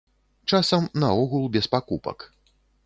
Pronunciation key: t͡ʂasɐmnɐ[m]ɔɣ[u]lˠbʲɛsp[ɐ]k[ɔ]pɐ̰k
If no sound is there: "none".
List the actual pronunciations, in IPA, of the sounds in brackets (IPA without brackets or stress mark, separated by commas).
none, u, a, u